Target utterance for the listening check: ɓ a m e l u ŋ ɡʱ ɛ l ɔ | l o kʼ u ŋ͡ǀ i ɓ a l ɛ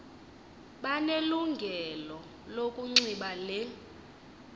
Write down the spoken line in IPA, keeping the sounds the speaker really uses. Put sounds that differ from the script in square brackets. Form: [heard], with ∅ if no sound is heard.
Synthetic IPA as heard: ɓ a [n] e l u ŋ ɡʱ ɛ l ɔ | l o kʼ u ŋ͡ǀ i ɓ a l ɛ